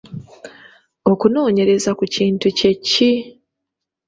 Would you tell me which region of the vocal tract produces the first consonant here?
velum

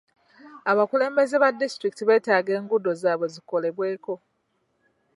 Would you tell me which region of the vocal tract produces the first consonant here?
lips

